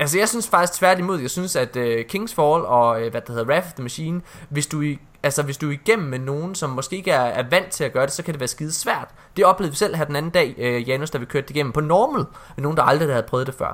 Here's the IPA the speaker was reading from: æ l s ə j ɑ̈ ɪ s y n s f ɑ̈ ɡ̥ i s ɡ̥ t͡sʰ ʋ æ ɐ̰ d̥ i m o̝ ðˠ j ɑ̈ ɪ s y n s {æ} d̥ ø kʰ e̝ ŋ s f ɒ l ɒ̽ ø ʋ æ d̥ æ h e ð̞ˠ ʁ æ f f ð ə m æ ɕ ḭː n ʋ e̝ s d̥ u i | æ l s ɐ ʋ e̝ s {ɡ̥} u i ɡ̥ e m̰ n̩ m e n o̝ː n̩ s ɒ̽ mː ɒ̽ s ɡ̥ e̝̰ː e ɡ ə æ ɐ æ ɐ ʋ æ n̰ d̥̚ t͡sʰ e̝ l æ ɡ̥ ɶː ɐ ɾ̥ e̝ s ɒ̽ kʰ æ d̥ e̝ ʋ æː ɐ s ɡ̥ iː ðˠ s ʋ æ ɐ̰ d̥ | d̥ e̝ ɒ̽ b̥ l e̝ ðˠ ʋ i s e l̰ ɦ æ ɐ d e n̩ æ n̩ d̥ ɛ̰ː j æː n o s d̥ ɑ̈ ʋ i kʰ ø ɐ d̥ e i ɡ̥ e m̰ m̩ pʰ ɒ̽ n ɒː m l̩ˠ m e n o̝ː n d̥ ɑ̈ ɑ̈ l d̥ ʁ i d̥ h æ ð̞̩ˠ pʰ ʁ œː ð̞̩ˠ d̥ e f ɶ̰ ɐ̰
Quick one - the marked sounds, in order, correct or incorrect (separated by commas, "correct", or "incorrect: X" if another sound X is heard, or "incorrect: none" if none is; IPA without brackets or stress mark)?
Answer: correct, incorrect: d̥